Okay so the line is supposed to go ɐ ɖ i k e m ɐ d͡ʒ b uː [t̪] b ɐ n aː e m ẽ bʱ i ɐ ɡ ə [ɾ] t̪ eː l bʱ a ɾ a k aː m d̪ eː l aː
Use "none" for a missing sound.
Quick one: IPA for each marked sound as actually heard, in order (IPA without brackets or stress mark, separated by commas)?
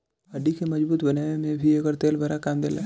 t̪, ɾ